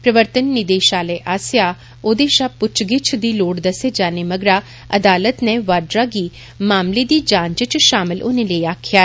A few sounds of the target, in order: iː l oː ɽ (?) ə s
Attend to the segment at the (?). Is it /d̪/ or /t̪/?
d̪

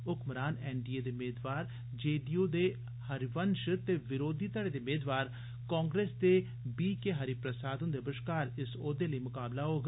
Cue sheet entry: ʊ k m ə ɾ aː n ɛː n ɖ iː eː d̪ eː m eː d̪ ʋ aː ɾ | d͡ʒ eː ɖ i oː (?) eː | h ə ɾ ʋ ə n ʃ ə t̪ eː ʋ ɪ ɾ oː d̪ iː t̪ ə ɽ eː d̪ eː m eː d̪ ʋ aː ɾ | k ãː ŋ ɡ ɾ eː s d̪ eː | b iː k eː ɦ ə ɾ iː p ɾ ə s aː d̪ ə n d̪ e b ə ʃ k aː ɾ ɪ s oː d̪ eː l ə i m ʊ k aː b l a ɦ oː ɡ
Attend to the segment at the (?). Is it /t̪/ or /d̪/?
d̪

